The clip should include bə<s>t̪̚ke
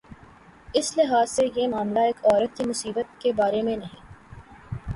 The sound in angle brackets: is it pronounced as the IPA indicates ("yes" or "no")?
no